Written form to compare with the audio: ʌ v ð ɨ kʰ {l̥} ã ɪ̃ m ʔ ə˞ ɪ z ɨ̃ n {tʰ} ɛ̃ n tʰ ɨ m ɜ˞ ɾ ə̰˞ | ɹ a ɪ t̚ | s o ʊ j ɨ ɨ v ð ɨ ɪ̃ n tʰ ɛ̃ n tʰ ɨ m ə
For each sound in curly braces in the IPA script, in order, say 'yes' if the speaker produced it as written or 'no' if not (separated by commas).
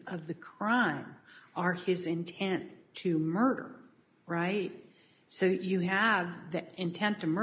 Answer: no, yes